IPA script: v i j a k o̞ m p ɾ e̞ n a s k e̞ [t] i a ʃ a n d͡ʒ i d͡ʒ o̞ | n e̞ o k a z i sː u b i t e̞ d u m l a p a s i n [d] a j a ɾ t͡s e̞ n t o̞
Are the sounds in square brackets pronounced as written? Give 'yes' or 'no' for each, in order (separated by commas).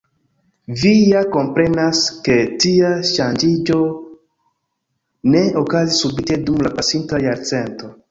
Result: yes, no